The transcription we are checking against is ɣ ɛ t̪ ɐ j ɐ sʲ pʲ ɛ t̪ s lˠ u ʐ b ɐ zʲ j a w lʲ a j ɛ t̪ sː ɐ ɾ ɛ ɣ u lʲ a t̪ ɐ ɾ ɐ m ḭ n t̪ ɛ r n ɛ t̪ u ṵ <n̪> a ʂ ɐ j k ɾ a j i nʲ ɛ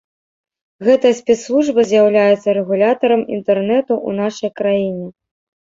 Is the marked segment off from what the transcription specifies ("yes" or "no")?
no